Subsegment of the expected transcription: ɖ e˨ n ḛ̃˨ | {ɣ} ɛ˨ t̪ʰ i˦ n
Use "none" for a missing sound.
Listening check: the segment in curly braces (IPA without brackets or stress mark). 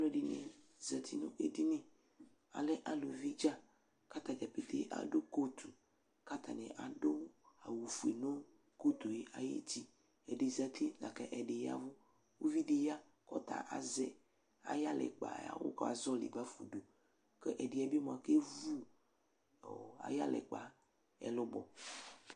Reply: z